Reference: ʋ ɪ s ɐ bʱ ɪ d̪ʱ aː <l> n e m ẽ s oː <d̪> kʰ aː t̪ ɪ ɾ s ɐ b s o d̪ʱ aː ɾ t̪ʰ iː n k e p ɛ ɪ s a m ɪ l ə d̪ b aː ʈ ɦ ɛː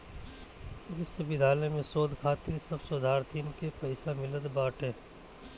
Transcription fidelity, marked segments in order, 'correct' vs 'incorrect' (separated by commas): correct, correct